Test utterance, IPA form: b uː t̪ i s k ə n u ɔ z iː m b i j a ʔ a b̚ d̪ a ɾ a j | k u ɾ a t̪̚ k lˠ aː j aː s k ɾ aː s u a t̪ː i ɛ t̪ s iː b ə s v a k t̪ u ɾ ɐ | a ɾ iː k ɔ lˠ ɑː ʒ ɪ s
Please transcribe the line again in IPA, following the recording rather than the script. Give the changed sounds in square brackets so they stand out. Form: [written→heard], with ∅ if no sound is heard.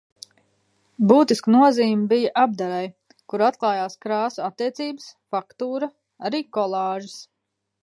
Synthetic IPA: b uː t̪ i s k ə n u ɔ z iː m b i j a ʔ a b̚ d̪ a ɾ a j | k u ɾ a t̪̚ k lˠ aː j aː s k ɾ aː s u a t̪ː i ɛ t̪ s iː b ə s [v→f] a k t̪ [u→uː] ɾ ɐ | a ɾ iː k ɔ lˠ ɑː ʒ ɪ s